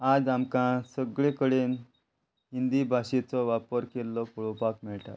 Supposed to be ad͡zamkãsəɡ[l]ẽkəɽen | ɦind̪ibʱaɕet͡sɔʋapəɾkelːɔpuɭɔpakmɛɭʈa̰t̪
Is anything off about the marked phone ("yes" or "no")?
yes